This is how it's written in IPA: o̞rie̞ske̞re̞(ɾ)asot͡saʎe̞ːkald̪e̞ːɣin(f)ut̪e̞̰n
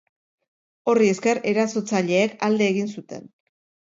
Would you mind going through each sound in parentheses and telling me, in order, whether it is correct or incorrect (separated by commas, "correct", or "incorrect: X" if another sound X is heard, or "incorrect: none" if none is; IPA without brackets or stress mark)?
correct, incorrect: s